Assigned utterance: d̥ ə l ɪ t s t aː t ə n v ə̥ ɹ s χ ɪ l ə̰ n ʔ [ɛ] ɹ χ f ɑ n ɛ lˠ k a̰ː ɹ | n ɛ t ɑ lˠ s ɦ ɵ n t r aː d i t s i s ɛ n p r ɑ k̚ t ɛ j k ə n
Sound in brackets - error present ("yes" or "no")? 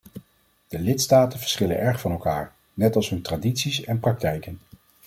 no